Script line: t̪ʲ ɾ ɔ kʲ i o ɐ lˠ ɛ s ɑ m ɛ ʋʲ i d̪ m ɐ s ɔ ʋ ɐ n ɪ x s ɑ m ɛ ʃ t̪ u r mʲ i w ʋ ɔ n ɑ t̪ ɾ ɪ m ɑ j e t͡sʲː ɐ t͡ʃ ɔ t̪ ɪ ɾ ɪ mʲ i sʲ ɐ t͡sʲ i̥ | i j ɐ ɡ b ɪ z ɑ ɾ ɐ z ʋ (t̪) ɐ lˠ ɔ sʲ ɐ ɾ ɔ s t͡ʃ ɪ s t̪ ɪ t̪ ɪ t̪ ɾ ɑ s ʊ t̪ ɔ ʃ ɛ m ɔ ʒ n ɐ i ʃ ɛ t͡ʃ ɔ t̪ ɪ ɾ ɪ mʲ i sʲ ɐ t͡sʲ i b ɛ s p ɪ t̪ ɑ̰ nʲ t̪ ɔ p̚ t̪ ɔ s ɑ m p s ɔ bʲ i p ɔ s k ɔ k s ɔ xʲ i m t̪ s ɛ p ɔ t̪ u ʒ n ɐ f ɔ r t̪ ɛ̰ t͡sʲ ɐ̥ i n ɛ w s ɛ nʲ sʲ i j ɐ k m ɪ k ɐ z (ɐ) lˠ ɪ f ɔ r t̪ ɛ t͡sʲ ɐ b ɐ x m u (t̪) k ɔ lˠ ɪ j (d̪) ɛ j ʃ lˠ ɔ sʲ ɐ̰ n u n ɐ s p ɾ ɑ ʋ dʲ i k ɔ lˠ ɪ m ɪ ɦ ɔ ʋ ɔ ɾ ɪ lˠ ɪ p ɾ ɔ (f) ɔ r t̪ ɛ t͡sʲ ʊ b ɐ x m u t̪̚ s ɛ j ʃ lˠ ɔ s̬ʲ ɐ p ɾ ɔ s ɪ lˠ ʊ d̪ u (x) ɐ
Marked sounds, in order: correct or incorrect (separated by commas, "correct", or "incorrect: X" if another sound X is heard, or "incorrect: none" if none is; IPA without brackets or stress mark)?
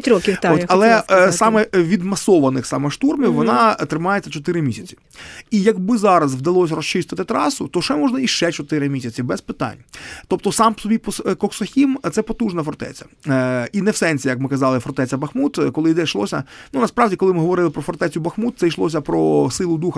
incorrect: d̪, incorrect: ɑ, correct, correct, correct, correct